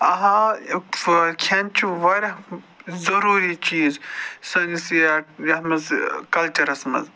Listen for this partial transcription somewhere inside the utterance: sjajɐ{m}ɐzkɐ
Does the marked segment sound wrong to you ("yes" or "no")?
no